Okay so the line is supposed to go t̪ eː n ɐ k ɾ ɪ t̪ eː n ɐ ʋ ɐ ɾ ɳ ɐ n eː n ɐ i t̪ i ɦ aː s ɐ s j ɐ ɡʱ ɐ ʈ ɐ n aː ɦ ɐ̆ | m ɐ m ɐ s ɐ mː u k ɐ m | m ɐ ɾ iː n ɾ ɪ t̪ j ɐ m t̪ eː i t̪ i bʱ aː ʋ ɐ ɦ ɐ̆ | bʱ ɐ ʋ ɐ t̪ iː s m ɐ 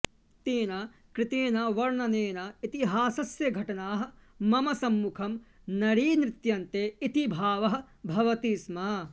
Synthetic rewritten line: t̪ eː n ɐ k ɾ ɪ t̪ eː n ɐ ʋ ɐ ɾ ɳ ɐ n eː n ɐ i t̪ i ɦ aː s ɐ s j ɐ ɡʱ ɐ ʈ ɐ n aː ɦ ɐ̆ | m ɐ m ɐ s ɐ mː u kʰ ɐ m | n ɐ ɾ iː n ɾ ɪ t̪ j ɐ n t̪ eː i t̪ i bʱ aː ʋ ɐ ɦ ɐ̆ | bʱ ɐ ʋ ɐ t̪ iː s m ɐ